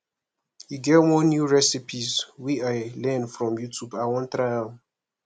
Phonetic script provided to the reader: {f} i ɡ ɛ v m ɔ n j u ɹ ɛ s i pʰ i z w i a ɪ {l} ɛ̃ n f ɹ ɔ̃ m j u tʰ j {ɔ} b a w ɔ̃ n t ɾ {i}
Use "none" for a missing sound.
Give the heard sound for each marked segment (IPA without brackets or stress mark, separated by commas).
h, l, u, a